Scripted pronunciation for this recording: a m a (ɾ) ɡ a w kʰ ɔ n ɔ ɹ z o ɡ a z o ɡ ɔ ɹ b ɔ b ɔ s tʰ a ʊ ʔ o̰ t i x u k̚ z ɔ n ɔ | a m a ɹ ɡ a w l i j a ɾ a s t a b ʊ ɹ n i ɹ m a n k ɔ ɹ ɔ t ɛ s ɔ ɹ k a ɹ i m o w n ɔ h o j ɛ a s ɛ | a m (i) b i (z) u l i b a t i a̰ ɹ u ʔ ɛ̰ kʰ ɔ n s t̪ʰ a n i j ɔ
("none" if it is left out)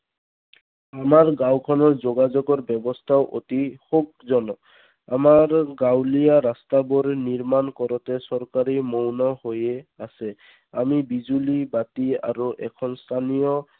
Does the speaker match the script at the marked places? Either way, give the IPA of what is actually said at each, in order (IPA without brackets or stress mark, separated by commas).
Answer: ɹ, i, z